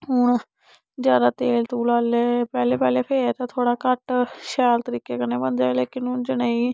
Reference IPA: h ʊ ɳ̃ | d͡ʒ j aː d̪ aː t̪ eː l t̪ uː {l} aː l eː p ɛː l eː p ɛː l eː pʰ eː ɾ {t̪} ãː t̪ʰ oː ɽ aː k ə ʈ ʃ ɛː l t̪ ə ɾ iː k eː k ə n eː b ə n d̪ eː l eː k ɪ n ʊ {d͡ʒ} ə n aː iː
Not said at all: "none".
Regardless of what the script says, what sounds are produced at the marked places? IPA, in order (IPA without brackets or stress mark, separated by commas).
l, t̪, d͡ʒ